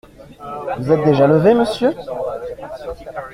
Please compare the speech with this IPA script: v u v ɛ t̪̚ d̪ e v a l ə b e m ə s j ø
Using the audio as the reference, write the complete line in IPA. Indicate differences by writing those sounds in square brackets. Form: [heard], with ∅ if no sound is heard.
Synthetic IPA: v u [z] ɛ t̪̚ d̪ e [ʒ] a l ə [v] e m ə s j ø